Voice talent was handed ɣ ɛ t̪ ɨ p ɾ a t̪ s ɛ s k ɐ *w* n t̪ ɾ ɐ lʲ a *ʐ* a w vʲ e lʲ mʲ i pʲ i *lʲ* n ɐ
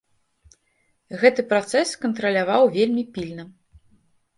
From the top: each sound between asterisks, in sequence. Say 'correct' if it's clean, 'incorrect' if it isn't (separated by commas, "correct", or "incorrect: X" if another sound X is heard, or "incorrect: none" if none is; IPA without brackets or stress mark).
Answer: incorrect: none, incorrect: v, correct